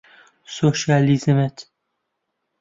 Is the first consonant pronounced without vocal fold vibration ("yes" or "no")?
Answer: yes